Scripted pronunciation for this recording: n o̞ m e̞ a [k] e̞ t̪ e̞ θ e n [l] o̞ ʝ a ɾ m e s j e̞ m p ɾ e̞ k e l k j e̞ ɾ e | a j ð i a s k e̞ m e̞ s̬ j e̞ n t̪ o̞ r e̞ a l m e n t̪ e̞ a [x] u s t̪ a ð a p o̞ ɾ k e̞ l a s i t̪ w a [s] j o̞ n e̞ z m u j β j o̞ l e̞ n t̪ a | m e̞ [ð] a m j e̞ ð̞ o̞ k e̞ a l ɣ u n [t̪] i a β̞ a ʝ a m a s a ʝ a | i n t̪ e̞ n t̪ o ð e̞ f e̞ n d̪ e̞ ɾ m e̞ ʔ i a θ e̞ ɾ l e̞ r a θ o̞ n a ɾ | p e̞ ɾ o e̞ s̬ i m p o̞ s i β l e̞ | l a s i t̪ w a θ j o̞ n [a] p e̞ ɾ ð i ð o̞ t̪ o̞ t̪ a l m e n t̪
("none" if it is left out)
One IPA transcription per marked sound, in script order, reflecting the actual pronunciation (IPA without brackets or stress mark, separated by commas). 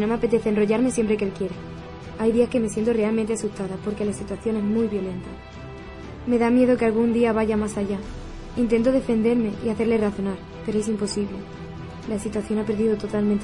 p, r, s, θ, ð, d̪, a